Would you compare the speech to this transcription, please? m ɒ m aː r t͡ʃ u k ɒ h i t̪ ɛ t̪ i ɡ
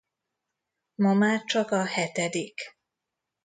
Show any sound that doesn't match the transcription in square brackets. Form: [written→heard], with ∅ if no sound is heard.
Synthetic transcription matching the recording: m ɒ m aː r t͡ʃ [u→ɒ] k ɒ h [i→ɛ] t̪ ɛ [t̪→d̪] i [ɡ→k]